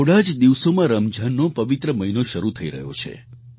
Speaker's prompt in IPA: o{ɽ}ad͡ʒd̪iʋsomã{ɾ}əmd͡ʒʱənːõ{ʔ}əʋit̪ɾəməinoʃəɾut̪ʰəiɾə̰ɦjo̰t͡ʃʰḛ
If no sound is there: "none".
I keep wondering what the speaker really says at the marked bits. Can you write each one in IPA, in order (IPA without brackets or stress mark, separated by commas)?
ɽ, ɾ, p